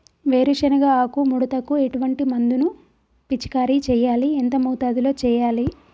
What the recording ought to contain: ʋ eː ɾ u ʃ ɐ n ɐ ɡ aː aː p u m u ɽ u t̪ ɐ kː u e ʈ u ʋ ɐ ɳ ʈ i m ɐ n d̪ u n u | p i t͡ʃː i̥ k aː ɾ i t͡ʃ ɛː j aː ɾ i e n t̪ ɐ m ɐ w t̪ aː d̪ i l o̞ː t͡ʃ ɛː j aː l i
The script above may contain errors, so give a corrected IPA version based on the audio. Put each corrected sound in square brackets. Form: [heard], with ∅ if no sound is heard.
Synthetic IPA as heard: ʋ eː ɾ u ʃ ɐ n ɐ ɡ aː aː [k] u m u ɽ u t̪ ɐ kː u e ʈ u ʋ ɐ ɳ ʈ i m ɐ n d̪ u n u | p i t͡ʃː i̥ k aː ɾ i t͡ʃ ɛː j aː [l] i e n t̪ ɐ m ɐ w t̪ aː d̪ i l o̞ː t͡ʃ ɛː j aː l i